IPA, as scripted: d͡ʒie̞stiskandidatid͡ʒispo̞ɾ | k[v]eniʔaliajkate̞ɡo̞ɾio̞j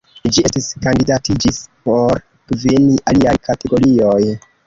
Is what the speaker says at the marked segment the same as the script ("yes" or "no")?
yes